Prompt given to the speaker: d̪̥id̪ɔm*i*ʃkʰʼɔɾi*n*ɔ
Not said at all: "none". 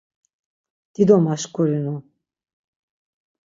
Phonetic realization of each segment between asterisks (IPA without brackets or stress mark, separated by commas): a, n